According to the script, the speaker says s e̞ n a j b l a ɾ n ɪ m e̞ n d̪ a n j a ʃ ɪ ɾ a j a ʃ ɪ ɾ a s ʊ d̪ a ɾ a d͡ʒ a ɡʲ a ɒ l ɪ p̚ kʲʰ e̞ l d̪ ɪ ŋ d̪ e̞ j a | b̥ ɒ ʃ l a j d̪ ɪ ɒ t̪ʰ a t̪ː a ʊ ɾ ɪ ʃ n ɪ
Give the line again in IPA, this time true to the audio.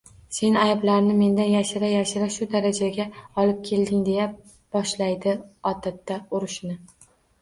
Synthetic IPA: s e̞ n a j b l a ɾ n ɪ m e̞ n d̪ a n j a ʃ ɪ ɾ a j a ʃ ɪ ɾ a ʃ ʊ d̪ a ɾ a d͡ʒ a ɡʲ a ɒ l ɪ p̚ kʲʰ e̞ l d̪ ɪ ŋ d̪ e̞ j a | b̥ ɒ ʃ l a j d̪ ɪ ɒ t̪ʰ a t̪ː a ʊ ɾ ɪ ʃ n ɪ